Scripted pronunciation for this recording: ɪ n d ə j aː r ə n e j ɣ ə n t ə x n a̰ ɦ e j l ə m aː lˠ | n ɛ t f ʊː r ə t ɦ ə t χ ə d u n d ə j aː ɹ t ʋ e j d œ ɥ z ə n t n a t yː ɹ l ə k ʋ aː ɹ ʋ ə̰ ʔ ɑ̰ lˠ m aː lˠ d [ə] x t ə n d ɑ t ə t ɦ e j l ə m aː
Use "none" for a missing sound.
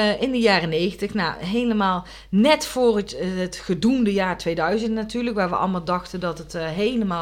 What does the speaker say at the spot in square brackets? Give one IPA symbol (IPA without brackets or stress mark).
ɑ